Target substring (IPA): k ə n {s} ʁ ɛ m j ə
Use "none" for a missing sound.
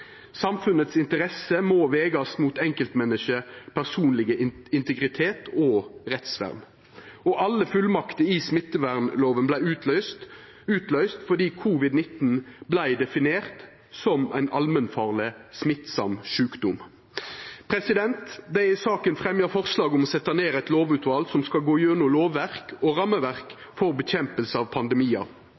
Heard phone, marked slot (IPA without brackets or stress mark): f